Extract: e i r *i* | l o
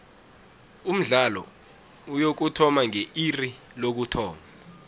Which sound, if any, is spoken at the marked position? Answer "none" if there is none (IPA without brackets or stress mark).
i